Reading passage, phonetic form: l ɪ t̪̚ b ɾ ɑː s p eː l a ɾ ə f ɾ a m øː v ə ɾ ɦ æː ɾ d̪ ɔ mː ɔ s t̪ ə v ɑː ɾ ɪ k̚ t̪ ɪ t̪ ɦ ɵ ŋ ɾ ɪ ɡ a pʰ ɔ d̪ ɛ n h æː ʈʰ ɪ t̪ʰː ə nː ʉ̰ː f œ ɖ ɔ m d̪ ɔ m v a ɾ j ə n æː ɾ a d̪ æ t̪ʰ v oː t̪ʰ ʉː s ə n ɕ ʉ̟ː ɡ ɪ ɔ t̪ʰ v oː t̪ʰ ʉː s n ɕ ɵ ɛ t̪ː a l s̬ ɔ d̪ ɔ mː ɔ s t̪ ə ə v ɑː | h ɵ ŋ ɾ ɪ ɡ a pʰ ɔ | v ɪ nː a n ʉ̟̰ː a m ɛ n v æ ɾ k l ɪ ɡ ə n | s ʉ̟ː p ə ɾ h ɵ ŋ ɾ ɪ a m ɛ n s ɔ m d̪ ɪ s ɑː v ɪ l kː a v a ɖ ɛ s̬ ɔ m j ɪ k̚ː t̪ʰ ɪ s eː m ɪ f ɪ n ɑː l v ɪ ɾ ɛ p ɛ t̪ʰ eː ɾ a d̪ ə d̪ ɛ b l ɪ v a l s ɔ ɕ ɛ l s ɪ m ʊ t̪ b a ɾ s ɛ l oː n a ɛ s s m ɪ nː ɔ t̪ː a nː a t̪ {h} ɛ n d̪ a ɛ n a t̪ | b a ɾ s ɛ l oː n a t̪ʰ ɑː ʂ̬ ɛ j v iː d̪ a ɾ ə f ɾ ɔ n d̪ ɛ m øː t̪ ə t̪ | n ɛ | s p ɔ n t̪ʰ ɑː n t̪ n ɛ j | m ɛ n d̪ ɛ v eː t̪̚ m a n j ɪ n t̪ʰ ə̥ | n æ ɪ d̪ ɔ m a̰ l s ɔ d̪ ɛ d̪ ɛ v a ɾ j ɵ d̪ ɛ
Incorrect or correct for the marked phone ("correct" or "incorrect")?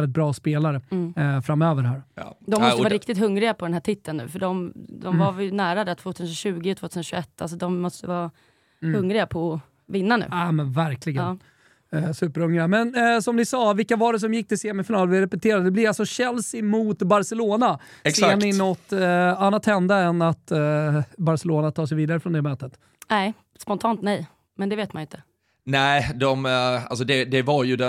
correct